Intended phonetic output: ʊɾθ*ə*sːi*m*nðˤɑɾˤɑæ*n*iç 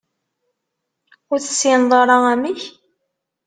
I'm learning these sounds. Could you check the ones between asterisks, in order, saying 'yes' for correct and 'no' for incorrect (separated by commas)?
yes, no, no